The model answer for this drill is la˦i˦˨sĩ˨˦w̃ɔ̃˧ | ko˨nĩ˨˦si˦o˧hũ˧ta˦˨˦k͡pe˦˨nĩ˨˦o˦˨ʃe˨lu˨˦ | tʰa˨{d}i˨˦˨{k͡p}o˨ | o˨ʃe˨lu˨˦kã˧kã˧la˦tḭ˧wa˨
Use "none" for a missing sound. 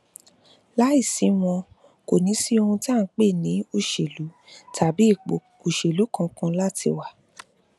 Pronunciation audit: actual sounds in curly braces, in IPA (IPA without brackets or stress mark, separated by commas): b, k͡p